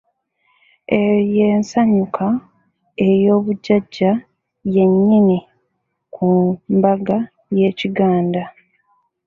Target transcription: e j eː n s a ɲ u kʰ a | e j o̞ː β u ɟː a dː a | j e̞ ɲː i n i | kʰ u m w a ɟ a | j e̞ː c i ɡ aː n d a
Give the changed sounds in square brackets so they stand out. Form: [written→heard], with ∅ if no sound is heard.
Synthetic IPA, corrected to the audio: e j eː n s a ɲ u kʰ a | e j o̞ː β u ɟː a [dː→ɟː] a | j e̞ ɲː i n i | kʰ u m [w→b] a [ɟ→ɡ] a | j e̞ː c i ɡ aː n d a